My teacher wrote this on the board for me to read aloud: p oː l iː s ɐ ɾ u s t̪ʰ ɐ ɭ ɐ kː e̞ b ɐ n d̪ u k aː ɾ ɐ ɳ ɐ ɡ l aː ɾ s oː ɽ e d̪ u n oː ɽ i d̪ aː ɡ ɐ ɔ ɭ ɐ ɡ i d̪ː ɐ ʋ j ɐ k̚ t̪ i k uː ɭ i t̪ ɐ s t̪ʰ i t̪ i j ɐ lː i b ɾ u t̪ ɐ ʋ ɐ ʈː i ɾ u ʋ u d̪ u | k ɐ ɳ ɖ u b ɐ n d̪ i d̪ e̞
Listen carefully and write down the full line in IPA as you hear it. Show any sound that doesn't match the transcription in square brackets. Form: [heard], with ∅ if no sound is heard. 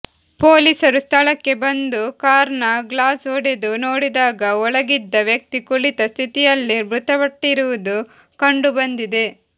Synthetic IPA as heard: p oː l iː s ɐ ɾ u s t̪ʰ ɐ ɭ ɐ kː e̞ b ɐ n d̪ u k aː ɾ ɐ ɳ ɐ ɡ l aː [∅] s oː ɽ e d̪ u n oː ɽ i d̪ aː ɡ ɐ ɔ ɭ ɐ ɡ i d̪ː ɐ ʋ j ɐ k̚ t̪ i k [u] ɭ i t̪ ɐ s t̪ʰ i t̪ i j ɐ lː i b ɾ u t̪ ɐ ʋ ɐ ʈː i ɾ u ʋ u d̪ u | k ɐ ɳ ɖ u b ɐ n d̪ i d̪ e̞